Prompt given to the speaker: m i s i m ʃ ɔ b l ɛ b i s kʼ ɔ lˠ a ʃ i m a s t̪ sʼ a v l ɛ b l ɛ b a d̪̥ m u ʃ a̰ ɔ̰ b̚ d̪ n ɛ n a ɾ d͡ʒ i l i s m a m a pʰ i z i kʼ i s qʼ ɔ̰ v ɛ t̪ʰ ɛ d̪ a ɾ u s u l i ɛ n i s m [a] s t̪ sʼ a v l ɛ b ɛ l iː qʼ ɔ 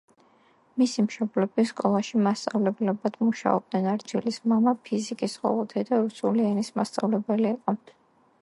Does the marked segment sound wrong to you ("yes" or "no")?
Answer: no